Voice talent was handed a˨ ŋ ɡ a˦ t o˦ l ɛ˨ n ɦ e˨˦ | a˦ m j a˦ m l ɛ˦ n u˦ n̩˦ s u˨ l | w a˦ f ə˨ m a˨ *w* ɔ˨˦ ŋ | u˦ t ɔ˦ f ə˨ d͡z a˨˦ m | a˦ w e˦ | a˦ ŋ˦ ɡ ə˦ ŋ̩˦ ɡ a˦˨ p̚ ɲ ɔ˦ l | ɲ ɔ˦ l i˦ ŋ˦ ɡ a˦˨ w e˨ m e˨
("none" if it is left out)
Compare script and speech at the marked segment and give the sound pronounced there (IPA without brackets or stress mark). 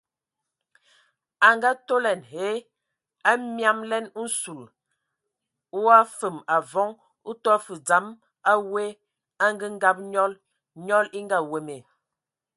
v